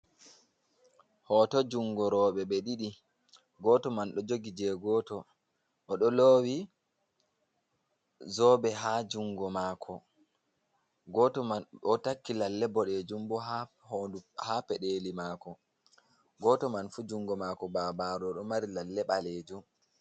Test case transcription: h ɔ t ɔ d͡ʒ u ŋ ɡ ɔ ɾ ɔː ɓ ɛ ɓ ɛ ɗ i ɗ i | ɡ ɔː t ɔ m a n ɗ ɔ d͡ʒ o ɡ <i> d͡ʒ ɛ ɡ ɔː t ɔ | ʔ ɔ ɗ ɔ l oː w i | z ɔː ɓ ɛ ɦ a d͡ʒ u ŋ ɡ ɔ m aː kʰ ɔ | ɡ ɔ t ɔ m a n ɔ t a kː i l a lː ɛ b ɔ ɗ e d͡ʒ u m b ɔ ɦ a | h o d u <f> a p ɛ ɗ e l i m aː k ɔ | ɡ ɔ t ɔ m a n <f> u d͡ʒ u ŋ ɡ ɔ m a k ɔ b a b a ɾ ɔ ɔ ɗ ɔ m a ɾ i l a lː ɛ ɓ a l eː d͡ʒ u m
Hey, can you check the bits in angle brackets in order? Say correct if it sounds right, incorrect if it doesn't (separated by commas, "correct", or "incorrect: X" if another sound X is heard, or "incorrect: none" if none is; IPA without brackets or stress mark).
correct, incorrect: h, correct